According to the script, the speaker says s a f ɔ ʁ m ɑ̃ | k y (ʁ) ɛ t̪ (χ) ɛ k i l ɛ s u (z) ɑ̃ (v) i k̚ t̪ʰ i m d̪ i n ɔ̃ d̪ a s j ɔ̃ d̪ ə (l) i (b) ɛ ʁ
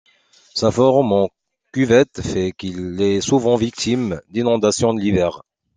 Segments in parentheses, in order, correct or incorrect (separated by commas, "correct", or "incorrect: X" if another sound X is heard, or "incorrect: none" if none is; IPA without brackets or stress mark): incorrect: v, incorrect: f, incorrect: v, correct, correct, incorrect: v